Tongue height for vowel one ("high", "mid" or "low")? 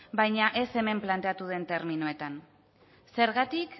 low